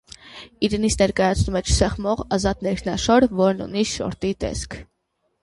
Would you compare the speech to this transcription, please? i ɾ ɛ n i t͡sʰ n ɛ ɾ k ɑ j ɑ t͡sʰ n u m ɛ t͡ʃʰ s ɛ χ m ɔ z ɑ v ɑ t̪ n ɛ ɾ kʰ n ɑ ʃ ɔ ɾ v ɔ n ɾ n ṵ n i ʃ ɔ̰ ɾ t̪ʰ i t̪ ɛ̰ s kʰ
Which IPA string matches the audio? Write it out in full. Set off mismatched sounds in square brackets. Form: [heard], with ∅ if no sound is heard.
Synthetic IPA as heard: i ɾ ɛ n i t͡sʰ n ɛ ɾ k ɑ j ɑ t͡sʰ n u m ɛ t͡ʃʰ s ɛ χ m ɔ [ʁ] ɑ [z] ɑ t̪ n ɛ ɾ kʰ n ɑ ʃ ɔ ɾ v ɔ [∅] ɾ n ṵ n i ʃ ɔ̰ ɾ [t̪] i t̪ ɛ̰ s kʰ